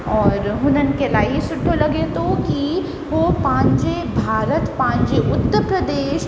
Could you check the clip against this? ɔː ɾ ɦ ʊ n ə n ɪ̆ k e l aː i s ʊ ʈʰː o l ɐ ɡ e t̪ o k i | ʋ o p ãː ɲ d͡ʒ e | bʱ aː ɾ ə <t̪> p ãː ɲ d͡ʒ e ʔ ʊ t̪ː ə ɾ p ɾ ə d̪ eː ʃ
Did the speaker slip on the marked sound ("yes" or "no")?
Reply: no